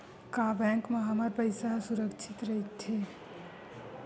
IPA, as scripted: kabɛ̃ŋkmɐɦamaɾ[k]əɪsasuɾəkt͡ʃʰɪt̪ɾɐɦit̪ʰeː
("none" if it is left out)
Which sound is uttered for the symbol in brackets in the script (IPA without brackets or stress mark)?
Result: p